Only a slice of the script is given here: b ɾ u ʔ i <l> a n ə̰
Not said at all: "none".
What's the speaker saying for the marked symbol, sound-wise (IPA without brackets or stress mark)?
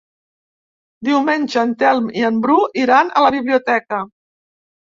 ɾ